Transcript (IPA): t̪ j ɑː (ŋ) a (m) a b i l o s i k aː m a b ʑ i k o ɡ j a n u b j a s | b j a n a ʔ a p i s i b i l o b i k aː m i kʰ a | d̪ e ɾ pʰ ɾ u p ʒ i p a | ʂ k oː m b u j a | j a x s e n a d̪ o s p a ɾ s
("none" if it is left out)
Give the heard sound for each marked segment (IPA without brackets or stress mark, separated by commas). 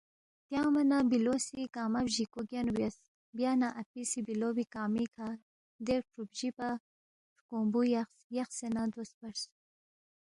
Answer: m, n